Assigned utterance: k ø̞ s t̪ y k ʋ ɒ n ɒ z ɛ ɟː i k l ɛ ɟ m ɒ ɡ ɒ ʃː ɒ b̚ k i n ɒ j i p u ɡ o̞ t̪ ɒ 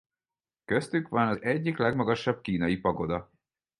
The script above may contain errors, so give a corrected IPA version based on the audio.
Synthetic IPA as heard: k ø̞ s t̪ y k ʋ ɒ n ɒ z ɛ ɟː i k l ɛ ɡ m ɒ ɡ ɒ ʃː ɒ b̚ k iː n ɒ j i p ɒ ɡ o̞ d̪ ɒ